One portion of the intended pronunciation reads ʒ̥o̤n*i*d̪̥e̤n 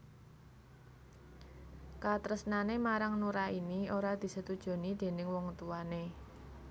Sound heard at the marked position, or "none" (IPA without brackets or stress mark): i